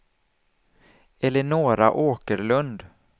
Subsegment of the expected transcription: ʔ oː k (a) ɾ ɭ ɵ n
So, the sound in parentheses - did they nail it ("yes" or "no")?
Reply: no